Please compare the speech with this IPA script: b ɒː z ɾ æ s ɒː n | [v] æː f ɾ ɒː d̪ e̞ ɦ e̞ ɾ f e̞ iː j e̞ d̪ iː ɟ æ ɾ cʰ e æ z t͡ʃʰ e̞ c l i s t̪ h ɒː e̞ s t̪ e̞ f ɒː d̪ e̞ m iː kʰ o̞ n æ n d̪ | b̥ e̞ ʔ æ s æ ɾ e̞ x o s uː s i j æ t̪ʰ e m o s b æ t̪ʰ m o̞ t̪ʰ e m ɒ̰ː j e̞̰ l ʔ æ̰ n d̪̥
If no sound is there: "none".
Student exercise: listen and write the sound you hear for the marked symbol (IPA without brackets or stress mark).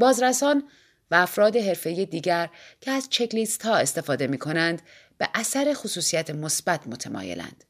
v